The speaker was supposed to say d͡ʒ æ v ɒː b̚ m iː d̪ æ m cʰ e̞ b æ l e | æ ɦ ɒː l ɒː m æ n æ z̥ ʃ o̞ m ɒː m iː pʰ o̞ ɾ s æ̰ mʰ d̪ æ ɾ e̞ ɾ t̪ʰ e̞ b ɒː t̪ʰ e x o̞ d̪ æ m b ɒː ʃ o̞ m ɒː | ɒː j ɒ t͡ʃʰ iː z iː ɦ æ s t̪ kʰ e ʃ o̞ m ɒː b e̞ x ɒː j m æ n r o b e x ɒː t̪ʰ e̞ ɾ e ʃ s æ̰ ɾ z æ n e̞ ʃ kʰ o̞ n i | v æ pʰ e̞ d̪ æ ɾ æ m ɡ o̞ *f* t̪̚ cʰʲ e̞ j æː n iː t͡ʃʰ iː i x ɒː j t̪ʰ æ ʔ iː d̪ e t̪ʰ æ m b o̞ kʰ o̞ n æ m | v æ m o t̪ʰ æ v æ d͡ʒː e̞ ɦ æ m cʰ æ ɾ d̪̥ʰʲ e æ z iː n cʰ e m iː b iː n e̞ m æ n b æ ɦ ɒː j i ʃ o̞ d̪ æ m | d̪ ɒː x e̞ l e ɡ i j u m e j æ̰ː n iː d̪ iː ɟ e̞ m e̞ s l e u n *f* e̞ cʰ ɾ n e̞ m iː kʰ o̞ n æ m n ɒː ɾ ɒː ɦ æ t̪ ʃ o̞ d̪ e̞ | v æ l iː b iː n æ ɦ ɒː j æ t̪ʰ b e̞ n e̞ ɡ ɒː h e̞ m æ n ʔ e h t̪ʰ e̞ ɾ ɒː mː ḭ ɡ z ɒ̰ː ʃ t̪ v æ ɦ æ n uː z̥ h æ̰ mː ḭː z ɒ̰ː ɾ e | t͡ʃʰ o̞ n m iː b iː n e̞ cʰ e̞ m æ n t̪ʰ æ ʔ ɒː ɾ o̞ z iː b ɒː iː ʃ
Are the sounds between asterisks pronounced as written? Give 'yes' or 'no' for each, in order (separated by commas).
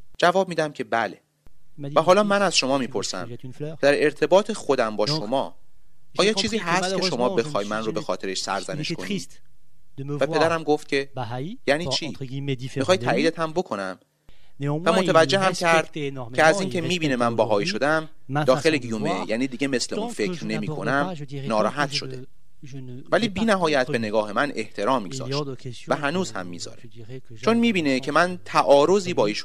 yes, yes